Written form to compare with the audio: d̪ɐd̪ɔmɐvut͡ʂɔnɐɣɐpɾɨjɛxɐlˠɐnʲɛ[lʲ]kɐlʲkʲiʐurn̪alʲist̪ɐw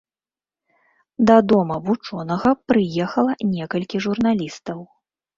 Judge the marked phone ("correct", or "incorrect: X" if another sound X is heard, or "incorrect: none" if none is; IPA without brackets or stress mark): incorrect: none